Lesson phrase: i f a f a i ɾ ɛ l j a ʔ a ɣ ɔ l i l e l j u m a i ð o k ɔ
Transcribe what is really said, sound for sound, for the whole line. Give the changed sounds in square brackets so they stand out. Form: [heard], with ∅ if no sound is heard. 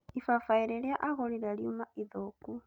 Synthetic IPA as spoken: i f a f a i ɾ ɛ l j a ʔ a ɣ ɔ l i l [a] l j u m a i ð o k [u]